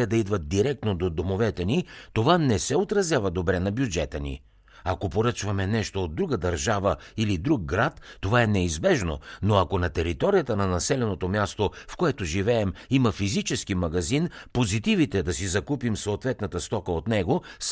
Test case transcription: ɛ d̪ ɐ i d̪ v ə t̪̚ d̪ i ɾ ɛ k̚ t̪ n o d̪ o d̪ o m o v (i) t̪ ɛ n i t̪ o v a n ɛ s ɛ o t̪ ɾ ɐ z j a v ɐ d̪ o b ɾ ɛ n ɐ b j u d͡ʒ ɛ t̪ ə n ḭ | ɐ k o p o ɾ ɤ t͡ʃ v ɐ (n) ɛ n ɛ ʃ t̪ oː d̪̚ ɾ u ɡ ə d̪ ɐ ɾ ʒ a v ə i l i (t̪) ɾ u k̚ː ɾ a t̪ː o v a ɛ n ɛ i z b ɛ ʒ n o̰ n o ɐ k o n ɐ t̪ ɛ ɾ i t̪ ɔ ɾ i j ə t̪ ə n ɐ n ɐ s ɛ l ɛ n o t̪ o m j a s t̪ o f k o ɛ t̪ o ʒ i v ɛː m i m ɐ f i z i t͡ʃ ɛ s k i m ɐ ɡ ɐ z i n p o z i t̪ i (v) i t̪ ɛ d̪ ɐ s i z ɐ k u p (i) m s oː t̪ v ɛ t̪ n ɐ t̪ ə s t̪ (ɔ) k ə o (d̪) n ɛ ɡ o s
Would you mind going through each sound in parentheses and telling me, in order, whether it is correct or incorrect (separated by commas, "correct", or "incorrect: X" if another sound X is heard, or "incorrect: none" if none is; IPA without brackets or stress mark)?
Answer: incorrect: ɛ, incorrect: m, incorrect: d̪, correct, correct, correct, incorrect: t̪